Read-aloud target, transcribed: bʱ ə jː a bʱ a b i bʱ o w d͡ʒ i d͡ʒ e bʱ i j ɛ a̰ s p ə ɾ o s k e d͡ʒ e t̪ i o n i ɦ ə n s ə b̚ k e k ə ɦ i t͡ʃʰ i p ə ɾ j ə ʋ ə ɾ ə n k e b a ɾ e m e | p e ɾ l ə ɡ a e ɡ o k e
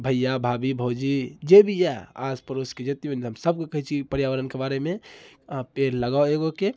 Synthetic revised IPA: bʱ ə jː a bʱ a b i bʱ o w d͡ʒ i d͡ʒ e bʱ i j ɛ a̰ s p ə ɾ o s k e d͡ʒ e t̪ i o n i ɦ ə m s ə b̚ k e k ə ɦ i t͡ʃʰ i p ə ɾ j a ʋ ə ɾ ə n k e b a ɾ e m e | p e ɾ l ə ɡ a e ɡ o k e